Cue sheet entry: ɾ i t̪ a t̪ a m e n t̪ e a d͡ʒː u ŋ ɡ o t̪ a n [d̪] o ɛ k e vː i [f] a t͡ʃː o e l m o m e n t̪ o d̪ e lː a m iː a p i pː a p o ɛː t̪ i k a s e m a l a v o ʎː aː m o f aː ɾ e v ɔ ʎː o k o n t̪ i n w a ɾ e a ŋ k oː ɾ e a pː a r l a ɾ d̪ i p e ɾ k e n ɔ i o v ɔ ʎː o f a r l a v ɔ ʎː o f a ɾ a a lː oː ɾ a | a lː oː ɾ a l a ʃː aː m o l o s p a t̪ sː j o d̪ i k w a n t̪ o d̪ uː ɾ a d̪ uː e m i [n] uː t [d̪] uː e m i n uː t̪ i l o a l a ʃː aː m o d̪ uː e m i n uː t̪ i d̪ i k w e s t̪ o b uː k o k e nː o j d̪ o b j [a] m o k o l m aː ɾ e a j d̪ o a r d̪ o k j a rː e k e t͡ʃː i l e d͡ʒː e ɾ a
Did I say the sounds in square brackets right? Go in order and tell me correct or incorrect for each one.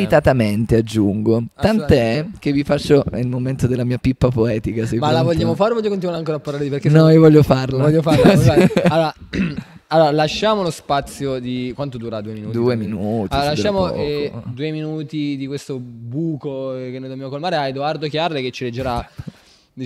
incorrect: t̪, correct, correct, correct, correct

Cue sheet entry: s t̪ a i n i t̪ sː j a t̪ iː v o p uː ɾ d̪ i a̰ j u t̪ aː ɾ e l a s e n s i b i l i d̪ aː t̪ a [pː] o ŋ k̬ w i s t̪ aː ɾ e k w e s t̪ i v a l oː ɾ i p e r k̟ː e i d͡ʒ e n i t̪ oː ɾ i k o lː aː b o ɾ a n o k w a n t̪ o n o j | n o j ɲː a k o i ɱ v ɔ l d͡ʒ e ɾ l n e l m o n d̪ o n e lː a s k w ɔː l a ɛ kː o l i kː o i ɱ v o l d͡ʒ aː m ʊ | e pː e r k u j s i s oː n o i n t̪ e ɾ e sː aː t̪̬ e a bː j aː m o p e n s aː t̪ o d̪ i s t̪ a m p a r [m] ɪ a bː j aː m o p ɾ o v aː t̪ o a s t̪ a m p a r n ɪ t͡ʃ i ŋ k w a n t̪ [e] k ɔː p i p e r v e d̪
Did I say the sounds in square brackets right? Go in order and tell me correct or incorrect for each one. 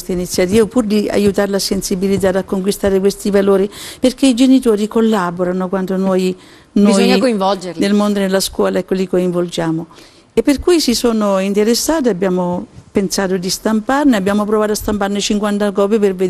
incorrect: kː, incorrect: n, incorrect: a

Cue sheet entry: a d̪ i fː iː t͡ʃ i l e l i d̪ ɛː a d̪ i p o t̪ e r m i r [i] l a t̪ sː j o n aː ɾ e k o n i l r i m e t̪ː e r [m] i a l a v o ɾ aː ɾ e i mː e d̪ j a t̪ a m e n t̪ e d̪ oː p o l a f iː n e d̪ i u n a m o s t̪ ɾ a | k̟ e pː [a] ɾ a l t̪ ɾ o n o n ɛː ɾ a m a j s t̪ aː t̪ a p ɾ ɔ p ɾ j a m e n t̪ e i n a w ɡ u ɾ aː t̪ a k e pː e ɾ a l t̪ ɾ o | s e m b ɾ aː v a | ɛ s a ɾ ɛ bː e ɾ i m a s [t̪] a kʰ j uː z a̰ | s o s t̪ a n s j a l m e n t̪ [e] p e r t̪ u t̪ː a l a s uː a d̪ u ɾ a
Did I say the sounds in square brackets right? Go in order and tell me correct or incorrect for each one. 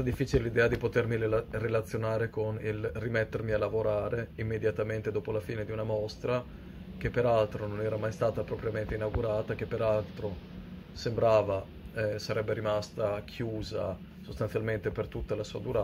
incorrect: e, correct, incorrect: e, correct, correct

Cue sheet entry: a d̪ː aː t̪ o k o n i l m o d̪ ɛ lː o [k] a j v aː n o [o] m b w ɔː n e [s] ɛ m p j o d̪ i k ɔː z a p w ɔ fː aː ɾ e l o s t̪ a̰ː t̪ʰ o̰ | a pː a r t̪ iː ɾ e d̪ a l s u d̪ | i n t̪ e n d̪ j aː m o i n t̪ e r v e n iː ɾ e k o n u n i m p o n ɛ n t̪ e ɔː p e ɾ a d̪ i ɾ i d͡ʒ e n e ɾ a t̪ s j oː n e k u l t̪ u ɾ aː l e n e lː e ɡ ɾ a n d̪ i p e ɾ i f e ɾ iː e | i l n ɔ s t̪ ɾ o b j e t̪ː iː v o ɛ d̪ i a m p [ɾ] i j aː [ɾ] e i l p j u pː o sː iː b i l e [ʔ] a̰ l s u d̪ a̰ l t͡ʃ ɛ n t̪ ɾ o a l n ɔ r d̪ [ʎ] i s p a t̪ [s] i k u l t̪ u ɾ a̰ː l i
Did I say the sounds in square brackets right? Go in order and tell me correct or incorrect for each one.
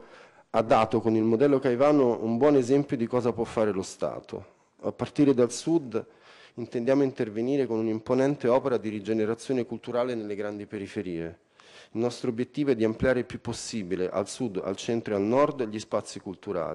correct, incorrect: u, incorrect: z, incorrect: l, correct, correct, correct, incorrect: sː

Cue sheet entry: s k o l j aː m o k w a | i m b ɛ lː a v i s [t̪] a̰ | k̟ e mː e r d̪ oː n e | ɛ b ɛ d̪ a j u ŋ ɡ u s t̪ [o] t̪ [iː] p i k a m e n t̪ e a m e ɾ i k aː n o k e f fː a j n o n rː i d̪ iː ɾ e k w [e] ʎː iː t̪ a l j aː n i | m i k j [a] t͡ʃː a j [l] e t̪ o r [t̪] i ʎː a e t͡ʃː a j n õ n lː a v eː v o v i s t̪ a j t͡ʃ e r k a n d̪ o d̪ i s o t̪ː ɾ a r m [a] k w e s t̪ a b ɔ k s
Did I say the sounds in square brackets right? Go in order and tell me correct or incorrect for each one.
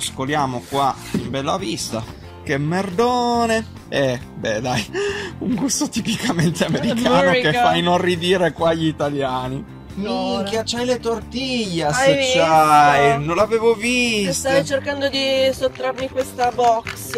correct, correct, incorrect: i, incorrect: a, correct, correct, correct, incorrect: i

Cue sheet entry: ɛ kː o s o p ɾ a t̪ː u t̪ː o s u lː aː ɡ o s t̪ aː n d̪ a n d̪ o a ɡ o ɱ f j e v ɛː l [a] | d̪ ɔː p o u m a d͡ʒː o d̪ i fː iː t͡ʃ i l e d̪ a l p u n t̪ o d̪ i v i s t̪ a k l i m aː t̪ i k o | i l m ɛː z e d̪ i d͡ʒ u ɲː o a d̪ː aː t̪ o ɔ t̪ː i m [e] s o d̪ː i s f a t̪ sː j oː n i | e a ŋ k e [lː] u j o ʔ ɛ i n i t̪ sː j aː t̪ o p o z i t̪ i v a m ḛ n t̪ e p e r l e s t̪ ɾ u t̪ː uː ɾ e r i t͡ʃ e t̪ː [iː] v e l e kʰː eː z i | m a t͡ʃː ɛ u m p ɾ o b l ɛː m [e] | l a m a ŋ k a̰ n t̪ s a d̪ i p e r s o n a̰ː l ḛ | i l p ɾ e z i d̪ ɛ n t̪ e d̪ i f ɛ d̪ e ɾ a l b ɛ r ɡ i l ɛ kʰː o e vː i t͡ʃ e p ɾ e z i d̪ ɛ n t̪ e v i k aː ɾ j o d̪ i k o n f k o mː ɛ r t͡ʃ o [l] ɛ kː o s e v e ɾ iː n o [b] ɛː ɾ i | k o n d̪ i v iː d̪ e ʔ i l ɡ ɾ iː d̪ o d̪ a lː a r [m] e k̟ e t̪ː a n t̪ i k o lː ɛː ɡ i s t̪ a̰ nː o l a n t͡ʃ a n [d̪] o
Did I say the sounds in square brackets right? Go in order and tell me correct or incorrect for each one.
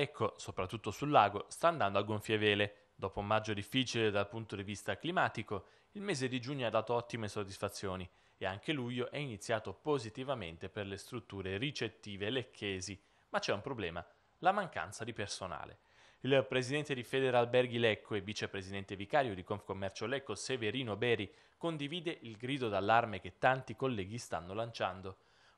incorrect: e, correct, incorrect: l, correct, incorrect: a, correct, correct, correct, correct

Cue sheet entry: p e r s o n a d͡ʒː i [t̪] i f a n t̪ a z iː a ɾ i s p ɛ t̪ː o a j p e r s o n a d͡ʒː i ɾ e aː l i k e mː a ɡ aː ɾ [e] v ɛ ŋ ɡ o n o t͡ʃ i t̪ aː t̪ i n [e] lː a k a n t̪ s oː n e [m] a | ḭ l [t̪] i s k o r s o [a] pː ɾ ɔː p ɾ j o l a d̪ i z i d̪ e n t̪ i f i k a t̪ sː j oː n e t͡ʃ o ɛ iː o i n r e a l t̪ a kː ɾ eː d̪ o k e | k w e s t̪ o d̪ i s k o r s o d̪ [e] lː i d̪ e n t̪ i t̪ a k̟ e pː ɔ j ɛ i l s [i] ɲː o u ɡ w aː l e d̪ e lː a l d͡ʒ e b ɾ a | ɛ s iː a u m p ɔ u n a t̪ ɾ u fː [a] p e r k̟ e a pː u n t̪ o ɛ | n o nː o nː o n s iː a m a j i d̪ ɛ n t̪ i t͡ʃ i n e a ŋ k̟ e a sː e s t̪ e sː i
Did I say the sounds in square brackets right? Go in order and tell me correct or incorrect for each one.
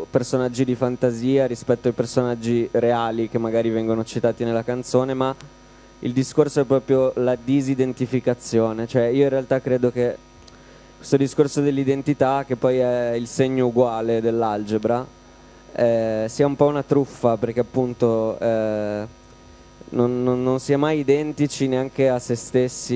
incorrect: d̪, incorrect: i, correct, correct, incorrect: d̪, incorrect: ɛ, correct, incorrect: e, correct

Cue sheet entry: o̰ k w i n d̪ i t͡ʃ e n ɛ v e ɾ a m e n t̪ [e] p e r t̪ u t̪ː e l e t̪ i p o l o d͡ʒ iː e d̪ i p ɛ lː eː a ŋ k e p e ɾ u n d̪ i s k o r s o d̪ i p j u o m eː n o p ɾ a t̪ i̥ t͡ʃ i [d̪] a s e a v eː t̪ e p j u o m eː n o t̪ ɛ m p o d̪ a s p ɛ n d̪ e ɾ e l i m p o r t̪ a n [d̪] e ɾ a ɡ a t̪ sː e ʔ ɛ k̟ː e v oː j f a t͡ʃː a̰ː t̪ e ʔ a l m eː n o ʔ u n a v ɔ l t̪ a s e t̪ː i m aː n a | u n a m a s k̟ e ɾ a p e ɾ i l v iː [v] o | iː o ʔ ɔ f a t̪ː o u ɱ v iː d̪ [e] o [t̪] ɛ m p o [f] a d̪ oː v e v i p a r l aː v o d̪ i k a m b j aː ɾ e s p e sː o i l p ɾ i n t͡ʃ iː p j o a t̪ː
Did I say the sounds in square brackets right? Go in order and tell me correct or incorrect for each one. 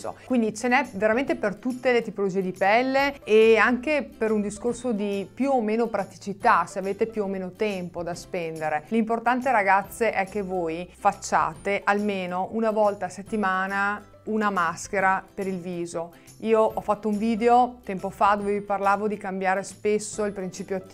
correct, incorrect: t̪, incorrect: t̪, incorrect: z, correct, correct, correct

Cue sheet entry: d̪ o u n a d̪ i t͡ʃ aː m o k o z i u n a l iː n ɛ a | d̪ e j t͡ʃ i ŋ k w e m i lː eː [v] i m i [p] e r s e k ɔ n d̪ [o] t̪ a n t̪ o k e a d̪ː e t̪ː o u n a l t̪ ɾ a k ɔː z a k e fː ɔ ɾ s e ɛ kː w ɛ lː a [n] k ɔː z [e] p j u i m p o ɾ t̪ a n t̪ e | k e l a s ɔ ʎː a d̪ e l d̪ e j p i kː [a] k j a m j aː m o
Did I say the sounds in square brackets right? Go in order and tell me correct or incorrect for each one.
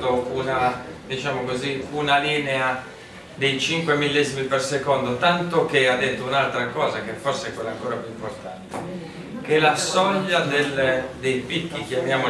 incorrect: z, correct, correct, incorrect: ŋ, incorrect: a, incorrect: i

